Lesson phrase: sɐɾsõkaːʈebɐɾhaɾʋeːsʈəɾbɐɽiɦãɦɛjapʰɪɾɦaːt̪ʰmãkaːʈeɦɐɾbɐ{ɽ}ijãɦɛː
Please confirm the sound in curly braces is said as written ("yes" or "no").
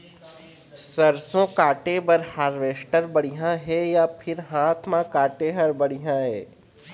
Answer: yes